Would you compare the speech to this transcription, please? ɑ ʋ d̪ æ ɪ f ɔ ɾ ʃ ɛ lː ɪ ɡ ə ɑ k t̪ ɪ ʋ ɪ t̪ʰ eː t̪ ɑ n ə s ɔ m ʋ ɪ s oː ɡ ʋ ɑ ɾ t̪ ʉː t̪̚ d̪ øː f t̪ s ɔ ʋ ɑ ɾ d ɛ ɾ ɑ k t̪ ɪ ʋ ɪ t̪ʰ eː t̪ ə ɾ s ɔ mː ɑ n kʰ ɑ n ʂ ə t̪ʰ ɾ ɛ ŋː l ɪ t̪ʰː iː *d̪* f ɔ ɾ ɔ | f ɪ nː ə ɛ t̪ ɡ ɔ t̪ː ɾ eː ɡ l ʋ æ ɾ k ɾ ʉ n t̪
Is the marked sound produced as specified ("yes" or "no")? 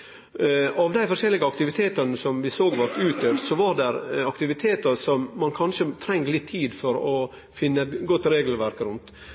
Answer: yes